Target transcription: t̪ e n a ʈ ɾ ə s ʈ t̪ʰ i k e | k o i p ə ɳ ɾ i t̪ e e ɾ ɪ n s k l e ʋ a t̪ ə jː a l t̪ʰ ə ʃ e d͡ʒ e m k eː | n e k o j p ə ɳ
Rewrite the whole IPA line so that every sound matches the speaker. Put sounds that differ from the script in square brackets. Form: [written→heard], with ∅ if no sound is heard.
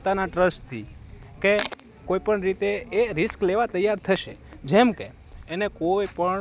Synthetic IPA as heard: t̪ [e→a] n a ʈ ɾ ə s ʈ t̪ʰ i k e | k o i p ə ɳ ɾ i t̪ e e ɾ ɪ [n→∅] s k l e ʋ a t̪ ə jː a [l→ɾ] t̪ʰ ə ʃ e d͡ʒ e m k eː | n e k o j p ə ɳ